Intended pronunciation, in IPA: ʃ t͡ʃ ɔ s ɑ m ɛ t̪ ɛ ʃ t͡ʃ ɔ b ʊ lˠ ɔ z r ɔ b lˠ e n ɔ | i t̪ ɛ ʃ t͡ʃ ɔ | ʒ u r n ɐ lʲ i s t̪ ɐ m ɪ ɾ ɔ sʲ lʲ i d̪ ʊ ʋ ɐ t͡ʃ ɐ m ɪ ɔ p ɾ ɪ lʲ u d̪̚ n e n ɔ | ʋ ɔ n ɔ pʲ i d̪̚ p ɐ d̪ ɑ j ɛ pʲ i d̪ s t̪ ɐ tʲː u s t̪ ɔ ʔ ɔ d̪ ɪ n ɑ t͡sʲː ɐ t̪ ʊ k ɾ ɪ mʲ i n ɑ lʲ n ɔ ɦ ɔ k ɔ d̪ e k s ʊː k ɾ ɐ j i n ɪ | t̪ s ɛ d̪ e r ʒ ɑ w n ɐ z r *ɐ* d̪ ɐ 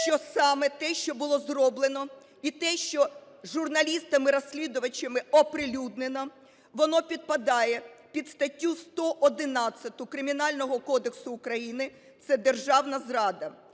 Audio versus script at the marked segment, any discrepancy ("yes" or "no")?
yes